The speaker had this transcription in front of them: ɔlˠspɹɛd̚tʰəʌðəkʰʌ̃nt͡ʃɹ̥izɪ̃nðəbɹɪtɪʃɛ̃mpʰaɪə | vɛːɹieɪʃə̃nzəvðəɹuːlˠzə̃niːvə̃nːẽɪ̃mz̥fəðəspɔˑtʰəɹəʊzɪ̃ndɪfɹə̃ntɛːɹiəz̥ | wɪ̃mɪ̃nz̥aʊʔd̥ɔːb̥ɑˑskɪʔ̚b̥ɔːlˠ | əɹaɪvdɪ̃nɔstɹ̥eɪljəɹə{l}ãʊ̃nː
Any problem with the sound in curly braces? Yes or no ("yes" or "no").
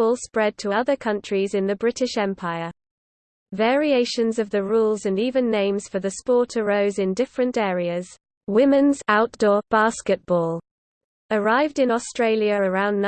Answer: yes